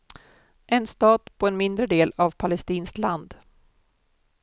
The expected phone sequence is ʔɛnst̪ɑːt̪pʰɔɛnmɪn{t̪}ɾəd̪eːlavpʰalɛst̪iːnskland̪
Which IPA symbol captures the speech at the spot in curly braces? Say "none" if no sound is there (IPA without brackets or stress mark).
d̪